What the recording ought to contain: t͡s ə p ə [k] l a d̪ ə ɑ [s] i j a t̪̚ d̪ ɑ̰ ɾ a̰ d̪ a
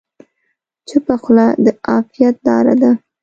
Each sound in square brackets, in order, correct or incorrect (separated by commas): incorrect, incorrect